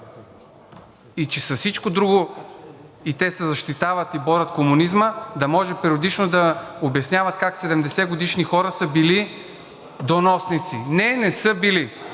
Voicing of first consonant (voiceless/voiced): voiceless